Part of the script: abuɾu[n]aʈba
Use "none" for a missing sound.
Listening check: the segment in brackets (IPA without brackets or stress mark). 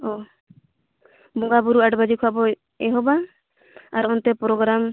none